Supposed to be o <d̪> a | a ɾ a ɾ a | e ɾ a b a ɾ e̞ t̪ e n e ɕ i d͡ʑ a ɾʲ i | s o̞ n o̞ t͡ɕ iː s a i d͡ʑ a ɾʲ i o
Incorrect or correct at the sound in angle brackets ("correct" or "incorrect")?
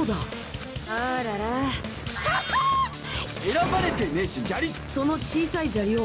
correct